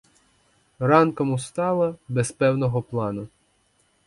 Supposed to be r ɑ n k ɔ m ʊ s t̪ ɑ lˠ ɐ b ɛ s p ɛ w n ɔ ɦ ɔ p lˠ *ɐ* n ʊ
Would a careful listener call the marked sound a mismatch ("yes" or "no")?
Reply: yes